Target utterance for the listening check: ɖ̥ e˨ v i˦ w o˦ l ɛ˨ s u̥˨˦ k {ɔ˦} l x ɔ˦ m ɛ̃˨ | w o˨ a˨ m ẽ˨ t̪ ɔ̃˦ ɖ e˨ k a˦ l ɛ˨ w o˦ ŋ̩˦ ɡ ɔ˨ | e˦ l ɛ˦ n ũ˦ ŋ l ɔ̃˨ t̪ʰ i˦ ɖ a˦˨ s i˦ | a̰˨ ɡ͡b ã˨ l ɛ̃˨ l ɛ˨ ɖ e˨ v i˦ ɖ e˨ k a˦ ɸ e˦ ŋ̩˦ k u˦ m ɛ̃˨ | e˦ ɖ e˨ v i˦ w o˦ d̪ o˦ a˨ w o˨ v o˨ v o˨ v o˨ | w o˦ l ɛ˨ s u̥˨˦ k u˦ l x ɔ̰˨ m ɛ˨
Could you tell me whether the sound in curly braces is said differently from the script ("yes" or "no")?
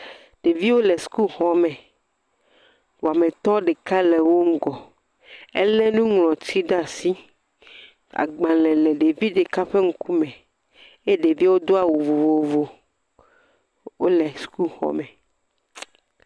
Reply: yes